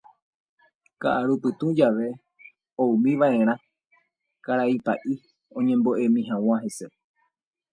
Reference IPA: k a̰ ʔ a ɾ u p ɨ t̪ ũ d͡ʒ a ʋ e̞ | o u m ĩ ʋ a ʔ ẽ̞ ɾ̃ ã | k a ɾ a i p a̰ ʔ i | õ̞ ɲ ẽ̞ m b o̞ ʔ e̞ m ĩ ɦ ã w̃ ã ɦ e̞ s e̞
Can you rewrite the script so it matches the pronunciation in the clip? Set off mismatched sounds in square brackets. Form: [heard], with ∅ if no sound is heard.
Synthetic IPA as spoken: k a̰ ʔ a ɾ u p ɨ t̪ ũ d͡ʒ a ʋ e̞ | o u m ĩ ʋ a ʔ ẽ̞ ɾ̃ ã | k a ɾ a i p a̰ ʔ i | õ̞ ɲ ẽ̞ m b o̞ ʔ e̞ m ĩ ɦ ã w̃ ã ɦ e̞ s e̞